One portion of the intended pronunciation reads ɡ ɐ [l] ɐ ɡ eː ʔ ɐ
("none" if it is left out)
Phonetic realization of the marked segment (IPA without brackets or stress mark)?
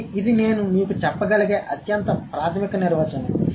l